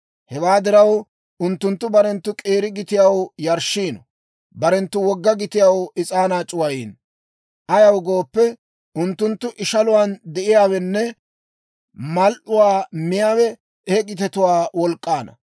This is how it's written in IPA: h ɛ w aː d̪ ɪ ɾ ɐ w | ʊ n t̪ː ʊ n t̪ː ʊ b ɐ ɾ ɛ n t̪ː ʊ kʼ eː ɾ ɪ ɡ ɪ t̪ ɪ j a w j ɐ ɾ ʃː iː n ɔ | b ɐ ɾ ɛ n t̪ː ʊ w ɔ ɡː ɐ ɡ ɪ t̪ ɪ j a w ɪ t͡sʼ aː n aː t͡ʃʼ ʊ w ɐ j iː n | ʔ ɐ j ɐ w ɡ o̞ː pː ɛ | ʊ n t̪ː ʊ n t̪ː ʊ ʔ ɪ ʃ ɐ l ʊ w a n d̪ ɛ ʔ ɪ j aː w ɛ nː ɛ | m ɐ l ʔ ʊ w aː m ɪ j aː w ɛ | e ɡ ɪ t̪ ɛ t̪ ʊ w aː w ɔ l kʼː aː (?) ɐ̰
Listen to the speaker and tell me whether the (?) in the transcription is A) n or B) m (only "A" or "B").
A